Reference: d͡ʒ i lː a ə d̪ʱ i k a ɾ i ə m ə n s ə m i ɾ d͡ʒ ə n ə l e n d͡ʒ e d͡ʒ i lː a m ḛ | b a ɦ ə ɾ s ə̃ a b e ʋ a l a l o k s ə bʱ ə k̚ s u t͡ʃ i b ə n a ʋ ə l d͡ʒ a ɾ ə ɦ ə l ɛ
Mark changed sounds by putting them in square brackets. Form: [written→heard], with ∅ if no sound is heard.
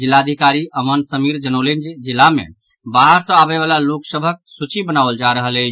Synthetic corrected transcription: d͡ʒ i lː a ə d̪ʱ i k a ɾ i ə m ə n s ə m i ɾ d͡ʒ ə n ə l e n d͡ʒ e d͡ʒ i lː a m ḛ | b a ɦ ə ɾ s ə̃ a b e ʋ a l a l o k s ə bʱ ə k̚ s u t͡ʃ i b ə n a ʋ ə l d͡ʒ a ɾ ə ɦ ə l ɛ

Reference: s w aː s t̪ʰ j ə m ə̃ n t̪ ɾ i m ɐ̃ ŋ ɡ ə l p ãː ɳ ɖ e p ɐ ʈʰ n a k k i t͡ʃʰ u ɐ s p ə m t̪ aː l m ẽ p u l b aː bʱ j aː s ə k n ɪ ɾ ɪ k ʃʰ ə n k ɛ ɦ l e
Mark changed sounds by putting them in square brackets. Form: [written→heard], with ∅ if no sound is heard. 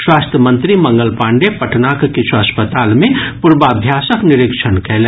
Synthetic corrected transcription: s w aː s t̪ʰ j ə m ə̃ n t̪ ɾ i m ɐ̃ ŋ ɡ ə l p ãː ɳ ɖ e p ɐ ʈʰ n a k k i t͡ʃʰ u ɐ s p ə [m→∅] t̪ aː l m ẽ p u [l→ɾ] b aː bʱ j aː s ə k n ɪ ɾ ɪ k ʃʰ ə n k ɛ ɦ l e

